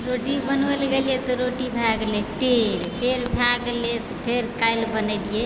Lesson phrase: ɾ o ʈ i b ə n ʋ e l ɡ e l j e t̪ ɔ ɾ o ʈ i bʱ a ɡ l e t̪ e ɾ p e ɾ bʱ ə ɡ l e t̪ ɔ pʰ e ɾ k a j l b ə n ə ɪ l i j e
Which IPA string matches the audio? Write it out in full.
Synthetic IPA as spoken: ɾ o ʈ i b ə n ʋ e l ɡ e l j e t̪ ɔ ɾ o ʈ i bʱ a ɡ l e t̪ e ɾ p e ɾ bʱ a ɡ l e t̪ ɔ pʰ e ɾ k a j l b ə n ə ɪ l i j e